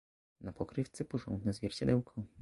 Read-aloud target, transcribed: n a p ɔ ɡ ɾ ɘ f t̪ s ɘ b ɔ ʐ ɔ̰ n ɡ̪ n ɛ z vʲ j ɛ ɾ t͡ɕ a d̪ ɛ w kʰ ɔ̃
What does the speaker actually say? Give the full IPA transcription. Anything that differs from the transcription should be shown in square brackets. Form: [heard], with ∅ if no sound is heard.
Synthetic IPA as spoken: n a p ɔ [k] ɾ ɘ f t̪ s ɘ [p] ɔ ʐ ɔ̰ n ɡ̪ n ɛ z vʲ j ɛ ɾ t͡ɕ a d̪ ɛ w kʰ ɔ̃